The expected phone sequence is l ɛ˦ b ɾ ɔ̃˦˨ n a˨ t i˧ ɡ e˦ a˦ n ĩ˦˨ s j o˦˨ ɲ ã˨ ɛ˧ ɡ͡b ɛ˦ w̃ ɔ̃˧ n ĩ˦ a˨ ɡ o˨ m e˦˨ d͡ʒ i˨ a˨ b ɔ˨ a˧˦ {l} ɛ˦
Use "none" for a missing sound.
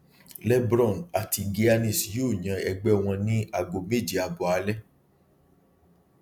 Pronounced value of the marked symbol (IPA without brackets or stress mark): l